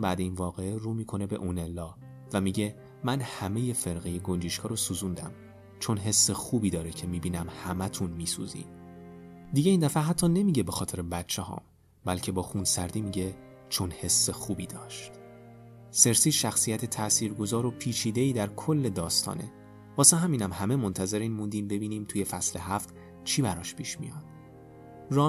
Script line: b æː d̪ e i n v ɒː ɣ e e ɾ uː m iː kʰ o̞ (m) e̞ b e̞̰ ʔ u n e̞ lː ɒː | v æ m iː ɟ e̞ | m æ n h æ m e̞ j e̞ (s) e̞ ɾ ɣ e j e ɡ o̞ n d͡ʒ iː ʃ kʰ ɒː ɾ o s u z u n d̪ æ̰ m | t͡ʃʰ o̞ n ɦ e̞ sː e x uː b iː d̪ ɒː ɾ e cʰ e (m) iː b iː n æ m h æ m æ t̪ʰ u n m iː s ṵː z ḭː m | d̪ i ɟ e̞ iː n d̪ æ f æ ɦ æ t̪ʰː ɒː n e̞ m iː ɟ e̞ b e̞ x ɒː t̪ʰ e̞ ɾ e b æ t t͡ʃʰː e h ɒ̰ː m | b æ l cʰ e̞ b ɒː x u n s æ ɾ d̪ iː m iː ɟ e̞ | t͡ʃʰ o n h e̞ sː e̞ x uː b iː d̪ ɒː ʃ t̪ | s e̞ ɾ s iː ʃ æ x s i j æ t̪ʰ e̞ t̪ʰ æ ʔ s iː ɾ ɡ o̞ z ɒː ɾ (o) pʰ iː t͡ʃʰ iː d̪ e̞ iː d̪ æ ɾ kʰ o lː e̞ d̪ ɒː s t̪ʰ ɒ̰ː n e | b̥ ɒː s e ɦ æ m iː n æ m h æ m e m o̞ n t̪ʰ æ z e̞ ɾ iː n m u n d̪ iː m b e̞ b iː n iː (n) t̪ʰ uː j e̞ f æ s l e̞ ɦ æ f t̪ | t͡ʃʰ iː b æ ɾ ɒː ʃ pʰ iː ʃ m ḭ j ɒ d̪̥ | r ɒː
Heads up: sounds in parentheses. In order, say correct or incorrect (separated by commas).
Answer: incorrect, incorrect, correct, correct, incorrect